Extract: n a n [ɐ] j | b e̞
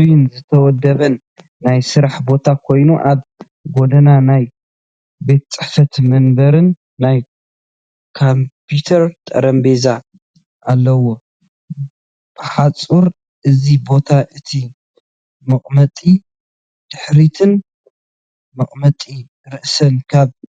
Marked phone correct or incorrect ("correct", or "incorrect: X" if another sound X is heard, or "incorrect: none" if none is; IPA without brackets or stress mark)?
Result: incorrect: a